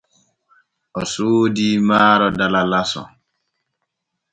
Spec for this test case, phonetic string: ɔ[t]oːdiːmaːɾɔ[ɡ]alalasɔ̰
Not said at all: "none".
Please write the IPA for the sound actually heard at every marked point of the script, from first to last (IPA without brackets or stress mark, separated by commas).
s, d